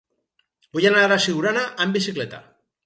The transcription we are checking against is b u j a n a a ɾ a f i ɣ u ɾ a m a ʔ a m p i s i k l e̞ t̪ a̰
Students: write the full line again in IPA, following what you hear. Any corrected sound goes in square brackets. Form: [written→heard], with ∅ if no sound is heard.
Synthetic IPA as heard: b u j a n a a ɾ a [f→s] i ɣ u ɾ a [m→n] a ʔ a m [p→b] i s i k l e̞ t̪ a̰